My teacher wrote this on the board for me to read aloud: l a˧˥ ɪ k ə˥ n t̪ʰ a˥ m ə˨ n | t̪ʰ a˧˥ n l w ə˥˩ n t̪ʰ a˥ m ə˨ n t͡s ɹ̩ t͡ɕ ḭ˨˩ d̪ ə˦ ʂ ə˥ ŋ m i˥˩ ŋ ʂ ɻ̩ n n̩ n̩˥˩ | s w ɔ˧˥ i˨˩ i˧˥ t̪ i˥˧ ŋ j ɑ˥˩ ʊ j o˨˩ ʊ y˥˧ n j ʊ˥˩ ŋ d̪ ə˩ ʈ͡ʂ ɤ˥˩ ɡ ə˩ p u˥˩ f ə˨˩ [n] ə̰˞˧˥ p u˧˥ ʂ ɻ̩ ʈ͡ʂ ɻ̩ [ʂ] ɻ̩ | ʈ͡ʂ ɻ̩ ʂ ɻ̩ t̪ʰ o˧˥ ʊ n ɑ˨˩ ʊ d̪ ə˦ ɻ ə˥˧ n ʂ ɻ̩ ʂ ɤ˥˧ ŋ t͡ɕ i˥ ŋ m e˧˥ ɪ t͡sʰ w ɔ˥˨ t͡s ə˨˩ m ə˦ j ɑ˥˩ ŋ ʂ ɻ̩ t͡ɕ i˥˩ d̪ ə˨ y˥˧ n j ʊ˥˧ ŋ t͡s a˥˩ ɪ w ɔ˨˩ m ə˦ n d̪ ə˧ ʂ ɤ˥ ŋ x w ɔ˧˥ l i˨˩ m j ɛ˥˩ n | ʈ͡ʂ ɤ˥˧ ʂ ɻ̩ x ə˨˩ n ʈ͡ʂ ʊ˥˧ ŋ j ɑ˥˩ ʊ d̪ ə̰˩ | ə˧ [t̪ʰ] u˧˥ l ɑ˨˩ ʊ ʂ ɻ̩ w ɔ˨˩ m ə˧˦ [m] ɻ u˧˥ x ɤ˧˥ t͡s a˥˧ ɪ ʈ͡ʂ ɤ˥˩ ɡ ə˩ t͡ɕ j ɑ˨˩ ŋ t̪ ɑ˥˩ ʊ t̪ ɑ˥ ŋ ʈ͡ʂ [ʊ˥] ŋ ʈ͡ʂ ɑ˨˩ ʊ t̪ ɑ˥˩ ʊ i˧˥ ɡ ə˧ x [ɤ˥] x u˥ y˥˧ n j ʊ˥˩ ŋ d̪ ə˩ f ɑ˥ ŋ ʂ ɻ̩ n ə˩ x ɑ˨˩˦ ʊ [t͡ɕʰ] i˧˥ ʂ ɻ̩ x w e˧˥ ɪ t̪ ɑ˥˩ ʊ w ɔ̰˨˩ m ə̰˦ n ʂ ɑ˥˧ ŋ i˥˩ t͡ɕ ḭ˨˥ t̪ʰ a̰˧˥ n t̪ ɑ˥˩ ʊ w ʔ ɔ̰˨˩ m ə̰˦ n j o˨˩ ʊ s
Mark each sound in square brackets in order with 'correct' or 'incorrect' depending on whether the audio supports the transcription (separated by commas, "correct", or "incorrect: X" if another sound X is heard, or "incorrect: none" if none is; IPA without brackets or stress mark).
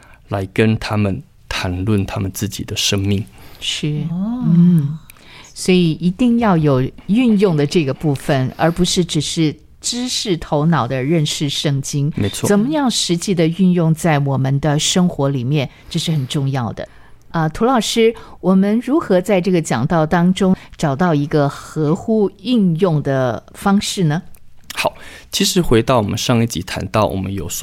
correct, correct, correct, incorrect: n, correct, incorrect: ɤ˧˥, correct